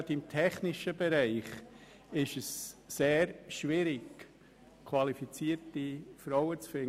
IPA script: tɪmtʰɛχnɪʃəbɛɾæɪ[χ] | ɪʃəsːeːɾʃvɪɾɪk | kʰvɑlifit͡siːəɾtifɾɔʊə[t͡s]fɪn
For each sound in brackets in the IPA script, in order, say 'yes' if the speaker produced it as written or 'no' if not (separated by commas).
yes, yes